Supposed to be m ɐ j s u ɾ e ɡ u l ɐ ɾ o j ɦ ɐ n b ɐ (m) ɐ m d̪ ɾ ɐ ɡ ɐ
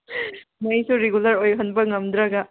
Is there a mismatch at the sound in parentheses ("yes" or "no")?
yes